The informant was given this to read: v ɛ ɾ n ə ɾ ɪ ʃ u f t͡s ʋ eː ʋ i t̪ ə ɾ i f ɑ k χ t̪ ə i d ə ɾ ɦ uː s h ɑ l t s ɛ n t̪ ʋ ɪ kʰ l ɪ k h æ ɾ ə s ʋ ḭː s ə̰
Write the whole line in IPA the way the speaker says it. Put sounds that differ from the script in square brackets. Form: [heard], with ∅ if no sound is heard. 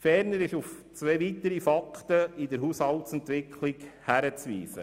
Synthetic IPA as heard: [f] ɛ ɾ n ə ɾ ɪ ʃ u f t͡s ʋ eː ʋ i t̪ ə ɾ i f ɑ k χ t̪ ə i d ə ɾ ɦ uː s h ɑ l t s ɛ n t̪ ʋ ɪ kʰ l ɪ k h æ ɾ ə [t͡s] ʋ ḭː s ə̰